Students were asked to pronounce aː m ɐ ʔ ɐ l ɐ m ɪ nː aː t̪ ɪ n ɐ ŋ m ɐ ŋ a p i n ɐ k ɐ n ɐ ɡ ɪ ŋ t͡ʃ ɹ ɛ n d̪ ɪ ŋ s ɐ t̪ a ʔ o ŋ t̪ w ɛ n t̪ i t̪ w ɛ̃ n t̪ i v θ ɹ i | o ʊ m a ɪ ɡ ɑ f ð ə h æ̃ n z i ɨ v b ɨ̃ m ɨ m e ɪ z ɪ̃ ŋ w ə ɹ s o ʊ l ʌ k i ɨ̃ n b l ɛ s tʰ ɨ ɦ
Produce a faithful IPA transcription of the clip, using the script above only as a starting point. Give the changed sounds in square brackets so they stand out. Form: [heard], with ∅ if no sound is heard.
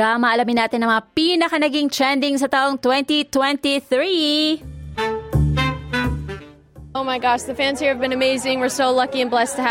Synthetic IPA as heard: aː m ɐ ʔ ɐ l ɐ m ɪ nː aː t̪ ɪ n ɐ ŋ m ɐ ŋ a p i n ɐ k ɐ n ɐ ɡ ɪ ŋ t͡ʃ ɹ ɛ n d̪ ɪ ŋ s ɐ t̪ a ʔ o ŋ t̪ w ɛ n t̪ i t̪ w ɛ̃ n t̪ i [∅] θ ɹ i | o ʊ m a ɪ ɡ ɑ [ʃ] ð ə [f] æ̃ n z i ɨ v b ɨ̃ [n] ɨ m e ɪ z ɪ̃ ŋ w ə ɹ s o ʊ l ʌ k i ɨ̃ n b l ɛ s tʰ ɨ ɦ